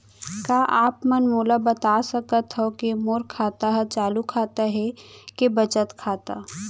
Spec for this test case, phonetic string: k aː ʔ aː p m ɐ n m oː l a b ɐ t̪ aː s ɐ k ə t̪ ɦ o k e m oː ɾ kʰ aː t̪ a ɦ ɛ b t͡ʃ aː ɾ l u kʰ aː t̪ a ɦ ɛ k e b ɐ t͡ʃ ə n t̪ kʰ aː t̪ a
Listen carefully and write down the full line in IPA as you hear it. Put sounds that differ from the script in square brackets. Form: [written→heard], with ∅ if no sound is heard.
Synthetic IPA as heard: k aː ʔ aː p m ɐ n m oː l a b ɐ t̪ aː s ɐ k ə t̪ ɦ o k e m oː ɾ kʰ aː t̪ a ɦ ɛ [b→∅] t͡ʃ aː [ɾ→∅] l u kʰ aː t̪ a ɦ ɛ k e b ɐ t͡ʃ ə [n→∅] t̪ kʰ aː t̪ a